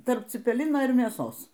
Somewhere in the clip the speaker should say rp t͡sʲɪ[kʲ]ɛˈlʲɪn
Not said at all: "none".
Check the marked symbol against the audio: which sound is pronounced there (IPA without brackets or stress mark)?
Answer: pʲ